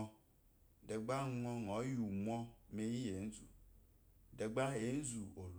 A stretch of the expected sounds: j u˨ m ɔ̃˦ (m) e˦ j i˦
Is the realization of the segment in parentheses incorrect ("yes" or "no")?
no